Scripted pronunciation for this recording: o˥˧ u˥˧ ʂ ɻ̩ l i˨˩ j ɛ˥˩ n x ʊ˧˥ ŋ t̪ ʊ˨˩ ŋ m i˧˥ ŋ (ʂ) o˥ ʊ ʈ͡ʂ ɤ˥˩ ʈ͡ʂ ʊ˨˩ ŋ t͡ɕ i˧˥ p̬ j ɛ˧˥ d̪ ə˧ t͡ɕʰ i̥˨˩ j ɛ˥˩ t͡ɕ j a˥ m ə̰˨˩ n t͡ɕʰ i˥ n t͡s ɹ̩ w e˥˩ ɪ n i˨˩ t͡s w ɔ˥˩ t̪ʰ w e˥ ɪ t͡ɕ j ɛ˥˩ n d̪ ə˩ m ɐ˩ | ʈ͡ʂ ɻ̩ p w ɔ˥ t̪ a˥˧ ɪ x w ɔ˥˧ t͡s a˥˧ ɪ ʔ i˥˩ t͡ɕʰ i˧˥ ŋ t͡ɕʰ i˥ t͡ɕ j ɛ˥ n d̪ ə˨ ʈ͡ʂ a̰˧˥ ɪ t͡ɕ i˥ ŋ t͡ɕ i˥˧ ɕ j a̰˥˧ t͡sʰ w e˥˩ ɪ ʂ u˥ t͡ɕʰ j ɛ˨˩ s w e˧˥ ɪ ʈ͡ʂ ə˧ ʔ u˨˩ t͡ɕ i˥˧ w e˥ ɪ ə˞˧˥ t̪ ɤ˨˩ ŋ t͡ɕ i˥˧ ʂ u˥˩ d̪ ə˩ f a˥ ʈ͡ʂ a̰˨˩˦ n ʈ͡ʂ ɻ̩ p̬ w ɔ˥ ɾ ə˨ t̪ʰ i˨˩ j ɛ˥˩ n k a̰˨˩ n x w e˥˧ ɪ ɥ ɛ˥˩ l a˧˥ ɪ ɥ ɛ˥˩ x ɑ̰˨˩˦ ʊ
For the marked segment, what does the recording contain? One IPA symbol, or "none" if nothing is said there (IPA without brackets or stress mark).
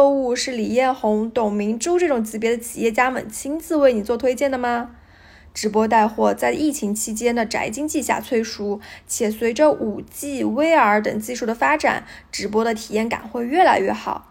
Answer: ʈ͡ʂ